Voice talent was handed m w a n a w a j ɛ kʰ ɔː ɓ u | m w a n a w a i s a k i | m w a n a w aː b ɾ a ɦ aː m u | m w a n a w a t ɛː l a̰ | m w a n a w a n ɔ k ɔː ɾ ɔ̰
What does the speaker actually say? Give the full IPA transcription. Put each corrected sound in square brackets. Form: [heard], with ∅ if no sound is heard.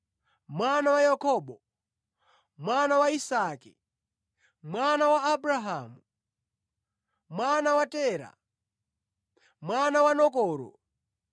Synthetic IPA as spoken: m w a n a w a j [a] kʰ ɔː ɓ [ɔ] | m w a n a w a i s a k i | m w a n a w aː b ɾ a ɦ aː m u | m w a n a w a t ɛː [ɾ] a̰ | m w a n a w a n ɔ k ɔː ɾ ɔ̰